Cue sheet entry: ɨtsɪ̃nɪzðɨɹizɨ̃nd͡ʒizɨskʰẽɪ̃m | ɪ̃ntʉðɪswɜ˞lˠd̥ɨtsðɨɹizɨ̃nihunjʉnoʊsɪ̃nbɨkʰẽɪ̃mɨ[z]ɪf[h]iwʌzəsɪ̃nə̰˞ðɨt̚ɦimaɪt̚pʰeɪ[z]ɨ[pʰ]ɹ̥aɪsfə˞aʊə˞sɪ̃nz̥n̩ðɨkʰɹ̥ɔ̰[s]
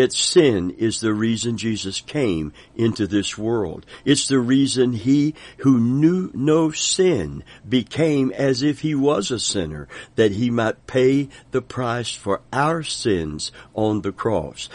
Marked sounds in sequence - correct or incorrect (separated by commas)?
correct, correct, incorrect, correct, correct